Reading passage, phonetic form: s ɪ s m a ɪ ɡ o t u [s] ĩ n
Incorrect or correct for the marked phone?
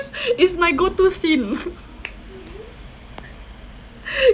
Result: correct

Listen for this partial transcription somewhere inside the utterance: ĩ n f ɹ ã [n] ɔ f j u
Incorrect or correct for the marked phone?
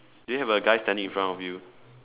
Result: correct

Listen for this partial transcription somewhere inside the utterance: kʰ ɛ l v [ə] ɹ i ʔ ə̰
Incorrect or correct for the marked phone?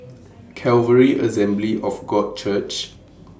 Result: correct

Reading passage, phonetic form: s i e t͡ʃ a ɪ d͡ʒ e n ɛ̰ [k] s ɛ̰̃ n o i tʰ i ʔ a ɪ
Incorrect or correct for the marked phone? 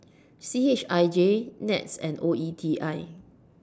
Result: incorrect: t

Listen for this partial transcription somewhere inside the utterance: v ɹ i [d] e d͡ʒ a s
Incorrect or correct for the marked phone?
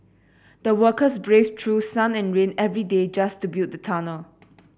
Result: correct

